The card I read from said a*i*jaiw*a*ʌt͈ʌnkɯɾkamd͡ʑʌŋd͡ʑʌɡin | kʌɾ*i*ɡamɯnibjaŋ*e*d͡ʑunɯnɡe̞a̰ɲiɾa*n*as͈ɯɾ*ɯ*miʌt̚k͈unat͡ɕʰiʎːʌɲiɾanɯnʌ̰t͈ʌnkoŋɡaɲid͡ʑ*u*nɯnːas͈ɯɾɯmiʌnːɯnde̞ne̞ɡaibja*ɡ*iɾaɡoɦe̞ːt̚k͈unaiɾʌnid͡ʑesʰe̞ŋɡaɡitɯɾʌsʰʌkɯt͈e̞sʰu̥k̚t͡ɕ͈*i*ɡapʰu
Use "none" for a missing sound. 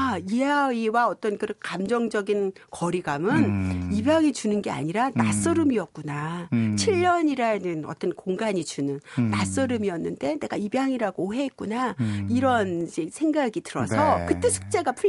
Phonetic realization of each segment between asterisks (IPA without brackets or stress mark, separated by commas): i, a, i, i, n, ɯ, u, ŋ, e